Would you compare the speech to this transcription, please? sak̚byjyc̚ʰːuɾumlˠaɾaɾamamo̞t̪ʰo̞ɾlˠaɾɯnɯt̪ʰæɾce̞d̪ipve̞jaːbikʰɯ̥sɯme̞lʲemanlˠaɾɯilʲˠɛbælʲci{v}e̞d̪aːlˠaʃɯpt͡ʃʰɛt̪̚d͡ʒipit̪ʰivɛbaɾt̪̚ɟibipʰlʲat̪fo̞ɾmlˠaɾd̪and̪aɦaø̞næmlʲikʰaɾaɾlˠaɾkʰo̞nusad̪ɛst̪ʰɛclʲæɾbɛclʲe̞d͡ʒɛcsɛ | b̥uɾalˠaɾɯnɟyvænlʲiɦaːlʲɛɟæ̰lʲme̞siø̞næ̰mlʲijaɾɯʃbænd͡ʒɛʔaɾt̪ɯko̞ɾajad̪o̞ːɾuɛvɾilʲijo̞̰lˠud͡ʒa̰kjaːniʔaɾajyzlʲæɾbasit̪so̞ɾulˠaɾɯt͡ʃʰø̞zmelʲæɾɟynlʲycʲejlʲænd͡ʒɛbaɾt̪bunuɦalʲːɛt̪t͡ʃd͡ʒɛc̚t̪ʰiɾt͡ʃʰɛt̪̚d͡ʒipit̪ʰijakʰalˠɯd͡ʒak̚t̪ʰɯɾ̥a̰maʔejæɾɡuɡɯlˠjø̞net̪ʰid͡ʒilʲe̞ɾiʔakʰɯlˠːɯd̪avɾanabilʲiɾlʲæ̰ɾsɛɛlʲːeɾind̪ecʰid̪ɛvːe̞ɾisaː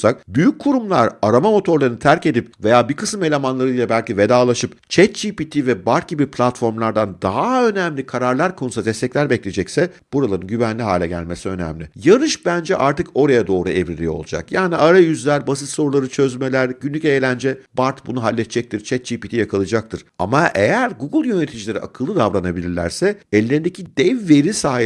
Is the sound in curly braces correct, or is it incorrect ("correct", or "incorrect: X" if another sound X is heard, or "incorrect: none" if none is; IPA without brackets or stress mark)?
correct